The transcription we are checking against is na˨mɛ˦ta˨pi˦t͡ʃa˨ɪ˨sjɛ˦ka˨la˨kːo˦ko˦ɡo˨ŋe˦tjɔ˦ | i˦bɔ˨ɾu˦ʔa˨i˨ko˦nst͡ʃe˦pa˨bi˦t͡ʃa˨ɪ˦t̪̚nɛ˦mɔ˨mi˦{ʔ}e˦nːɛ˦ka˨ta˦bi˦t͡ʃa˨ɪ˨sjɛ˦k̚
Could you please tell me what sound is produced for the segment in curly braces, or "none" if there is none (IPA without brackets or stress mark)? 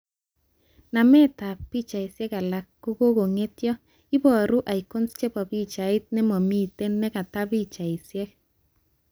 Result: t